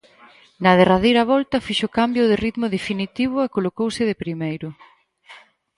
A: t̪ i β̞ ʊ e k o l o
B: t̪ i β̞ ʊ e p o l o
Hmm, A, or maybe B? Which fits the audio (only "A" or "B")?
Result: A